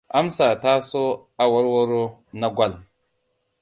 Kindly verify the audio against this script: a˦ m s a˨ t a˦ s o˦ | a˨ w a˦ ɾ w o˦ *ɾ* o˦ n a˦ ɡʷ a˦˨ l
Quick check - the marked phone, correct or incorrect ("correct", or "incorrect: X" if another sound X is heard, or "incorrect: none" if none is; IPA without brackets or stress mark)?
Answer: correct